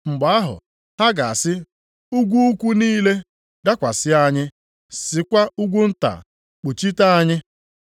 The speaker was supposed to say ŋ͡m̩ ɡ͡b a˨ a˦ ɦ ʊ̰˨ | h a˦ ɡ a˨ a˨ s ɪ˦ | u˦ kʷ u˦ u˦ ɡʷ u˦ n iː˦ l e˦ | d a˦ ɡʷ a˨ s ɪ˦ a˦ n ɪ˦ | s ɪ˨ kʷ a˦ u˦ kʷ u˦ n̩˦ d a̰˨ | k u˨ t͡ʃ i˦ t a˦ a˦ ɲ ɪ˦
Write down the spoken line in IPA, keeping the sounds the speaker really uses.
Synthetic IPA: ŋ͡m̩ ɡ͡b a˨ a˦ ɦ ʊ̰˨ | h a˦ ɡ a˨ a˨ s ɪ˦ | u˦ ɡʷ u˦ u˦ kʷ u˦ n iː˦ l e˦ | d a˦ kʷ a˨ s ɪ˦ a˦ ɲ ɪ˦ | s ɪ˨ kʷ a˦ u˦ ɡʷ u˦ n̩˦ t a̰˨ | k͡p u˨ t͡ʃ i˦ t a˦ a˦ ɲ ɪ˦